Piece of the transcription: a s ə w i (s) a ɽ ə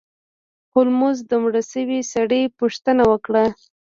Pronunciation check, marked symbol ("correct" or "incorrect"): correct